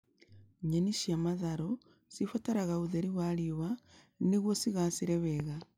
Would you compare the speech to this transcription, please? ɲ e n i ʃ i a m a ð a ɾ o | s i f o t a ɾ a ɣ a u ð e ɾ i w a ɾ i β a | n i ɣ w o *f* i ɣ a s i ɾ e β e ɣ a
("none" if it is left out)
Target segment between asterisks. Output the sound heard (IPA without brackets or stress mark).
s